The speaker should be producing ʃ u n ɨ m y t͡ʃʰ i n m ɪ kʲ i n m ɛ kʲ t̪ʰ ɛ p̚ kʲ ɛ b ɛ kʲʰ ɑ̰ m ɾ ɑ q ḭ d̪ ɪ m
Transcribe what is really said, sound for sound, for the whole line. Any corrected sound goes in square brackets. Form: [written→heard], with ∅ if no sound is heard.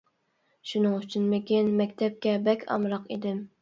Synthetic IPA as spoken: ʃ u n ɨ [m→ŋ] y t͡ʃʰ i n m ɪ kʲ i n m ɛ kʲ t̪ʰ ɛ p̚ kʲ ɛ b ɛ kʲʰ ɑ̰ m ɾ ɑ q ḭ d̪ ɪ m